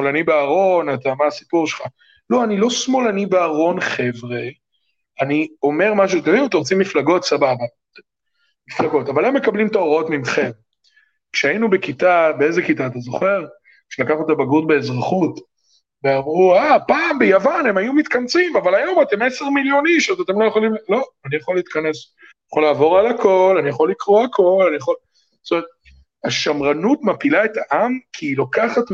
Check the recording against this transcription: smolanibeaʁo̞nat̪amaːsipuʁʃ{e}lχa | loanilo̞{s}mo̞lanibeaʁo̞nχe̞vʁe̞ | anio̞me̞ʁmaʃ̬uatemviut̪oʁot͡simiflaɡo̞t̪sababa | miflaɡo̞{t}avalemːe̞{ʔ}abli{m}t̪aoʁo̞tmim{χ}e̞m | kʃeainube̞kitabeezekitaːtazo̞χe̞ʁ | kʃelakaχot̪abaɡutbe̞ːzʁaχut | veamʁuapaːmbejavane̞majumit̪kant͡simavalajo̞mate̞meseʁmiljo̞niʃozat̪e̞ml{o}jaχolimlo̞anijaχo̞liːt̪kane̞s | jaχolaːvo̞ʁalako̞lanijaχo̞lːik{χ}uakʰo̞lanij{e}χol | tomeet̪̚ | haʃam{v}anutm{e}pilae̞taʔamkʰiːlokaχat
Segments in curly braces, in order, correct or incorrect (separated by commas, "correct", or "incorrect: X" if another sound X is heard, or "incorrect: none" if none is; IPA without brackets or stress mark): correct, correct, correct, incorrect: k, correct, correct, correct, incorrect: ʁ, incorrect: a, incorrect: ʁ, incorrect: a